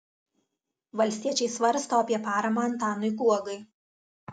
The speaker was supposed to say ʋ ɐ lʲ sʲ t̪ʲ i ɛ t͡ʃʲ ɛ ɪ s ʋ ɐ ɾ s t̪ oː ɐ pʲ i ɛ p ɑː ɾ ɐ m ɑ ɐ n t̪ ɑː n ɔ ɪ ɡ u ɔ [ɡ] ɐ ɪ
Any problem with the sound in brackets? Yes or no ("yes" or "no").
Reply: no